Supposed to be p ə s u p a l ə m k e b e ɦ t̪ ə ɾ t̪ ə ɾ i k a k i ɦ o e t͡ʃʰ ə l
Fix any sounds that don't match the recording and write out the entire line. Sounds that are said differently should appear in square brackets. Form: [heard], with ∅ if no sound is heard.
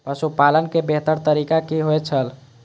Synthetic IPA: p ə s u p a l ə [n] k e b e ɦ t̪ ə ɾ t̪ ə ɾ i k a k i ɦ o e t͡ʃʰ ə l